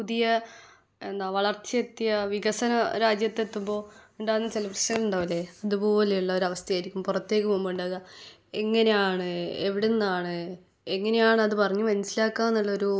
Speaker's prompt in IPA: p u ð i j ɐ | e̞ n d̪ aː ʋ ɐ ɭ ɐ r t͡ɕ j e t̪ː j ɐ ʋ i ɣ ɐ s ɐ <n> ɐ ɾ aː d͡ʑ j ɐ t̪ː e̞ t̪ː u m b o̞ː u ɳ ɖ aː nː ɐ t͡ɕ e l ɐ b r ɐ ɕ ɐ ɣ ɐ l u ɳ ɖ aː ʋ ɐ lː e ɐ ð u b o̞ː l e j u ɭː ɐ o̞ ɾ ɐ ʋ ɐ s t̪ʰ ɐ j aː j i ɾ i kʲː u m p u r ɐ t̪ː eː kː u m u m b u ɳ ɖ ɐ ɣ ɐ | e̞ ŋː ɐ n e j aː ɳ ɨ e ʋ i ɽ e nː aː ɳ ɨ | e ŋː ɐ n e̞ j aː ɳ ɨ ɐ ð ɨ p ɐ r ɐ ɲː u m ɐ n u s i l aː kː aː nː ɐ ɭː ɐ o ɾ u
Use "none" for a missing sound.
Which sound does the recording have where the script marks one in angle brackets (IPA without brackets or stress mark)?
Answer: n